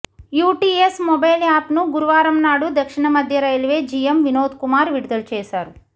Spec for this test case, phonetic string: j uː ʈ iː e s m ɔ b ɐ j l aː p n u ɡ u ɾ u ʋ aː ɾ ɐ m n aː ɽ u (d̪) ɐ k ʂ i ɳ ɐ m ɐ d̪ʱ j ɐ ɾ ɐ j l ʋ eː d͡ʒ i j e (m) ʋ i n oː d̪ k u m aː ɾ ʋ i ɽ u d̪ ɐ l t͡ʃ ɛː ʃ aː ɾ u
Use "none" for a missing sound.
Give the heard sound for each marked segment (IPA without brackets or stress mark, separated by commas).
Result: d̪, m